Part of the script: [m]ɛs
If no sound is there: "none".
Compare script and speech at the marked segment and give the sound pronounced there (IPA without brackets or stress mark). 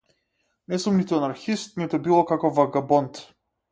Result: n